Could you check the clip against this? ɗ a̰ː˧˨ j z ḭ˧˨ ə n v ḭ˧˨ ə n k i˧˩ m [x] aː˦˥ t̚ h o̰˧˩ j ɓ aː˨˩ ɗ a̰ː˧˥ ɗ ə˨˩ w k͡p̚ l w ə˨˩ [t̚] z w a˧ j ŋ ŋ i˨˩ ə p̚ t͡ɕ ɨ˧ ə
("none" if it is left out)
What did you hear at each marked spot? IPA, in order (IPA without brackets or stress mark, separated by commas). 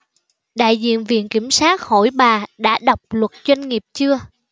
s, t̚